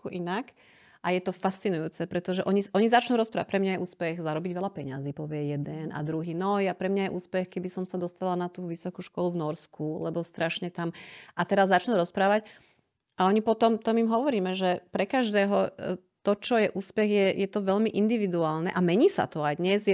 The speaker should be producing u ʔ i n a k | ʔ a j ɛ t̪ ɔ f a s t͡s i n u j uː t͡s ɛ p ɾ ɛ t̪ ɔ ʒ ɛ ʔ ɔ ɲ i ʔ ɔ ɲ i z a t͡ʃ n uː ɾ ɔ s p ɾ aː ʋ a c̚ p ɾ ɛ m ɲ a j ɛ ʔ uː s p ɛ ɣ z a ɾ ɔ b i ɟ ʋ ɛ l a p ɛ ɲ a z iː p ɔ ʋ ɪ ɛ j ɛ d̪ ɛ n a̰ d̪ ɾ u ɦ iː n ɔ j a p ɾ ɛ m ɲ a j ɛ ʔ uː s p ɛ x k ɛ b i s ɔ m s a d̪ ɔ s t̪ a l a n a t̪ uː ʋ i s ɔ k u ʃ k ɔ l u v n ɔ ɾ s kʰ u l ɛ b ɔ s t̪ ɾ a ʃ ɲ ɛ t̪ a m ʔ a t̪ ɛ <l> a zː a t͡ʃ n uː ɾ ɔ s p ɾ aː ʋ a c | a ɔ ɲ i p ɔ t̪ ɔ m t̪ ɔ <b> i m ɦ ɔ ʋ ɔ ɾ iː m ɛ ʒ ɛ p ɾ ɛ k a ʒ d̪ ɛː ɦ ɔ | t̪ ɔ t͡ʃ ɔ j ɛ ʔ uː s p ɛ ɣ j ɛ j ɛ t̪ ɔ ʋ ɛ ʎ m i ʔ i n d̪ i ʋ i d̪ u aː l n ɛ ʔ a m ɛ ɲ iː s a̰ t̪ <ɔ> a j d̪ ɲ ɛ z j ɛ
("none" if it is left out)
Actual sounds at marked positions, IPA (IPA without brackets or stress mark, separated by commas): ɾ, m, ɔ